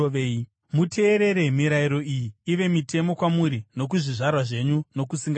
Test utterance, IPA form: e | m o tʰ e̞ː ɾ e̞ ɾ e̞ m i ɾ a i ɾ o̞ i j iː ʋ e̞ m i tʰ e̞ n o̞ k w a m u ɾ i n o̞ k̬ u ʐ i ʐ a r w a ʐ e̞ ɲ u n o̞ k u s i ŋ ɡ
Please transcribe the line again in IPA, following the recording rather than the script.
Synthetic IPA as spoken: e | m u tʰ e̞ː ɾ e̞ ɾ e̞ m i ɾ a i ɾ o̞ i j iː ʋ e̞ m i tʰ e̞ m o̞ k w a m u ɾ i n o̞ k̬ u ʐ i ʐ a r w a ʐ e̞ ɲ u n o̞ k u s i ŋ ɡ